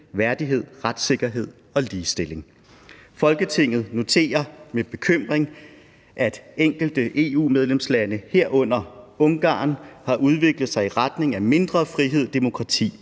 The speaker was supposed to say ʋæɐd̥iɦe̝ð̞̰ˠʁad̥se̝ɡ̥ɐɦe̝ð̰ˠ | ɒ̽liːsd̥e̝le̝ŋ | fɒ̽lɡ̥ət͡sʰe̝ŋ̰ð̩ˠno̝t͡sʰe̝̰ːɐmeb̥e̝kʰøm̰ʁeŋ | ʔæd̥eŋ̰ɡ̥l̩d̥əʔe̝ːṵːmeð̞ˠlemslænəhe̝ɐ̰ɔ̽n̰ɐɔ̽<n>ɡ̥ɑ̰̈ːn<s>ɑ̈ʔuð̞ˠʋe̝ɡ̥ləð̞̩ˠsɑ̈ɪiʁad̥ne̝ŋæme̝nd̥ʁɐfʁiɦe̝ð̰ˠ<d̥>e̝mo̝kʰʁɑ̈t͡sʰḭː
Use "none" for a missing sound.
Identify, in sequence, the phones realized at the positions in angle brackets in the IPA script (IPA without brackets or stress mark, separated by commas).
ŋ, h, d̥